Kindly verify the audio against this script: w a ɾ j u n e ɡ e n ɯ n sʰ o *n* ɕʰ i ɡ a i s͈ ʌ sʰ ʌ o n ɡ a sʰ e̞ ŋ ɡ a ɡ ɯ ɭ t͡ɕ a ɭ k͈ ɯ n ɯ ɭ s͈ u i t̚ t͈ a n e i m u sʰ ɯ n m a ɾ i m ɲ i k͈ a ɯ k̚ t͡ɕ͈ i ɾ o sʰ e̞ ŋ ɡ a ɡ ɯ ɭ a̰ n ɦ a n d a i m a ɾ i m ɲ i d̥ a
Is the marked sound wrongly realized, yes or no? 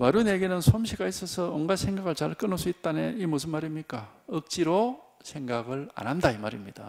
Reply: yes